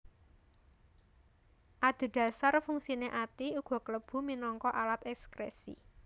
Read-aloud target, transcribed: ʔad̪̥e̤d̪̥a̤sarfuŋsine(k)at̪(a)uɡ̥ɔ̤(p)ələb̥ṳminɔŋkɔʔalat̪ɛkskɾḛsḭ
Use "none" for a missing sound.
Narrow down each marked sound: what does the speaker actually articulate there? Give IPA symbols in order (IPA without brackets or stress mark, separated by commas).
ʔ, i, k